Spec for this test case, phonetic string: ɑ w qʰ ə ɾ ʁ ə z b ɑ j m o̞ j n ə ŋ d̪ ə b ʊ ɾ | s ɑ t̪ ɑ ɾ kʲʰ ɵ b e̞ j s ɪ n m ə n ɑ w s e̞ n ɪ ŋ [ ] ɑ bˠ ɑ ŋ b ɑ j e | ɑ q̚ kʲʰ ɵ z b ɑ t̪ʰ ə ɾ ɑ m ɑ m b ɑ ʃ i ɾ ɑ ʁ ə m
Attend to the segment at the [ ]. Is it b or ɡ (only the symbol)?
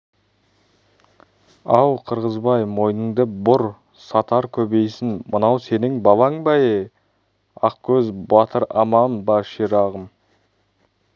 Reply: b